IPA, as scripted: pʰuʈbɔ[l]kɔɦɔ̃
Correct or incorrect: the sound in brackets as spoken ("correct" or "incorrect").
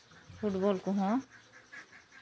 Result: correct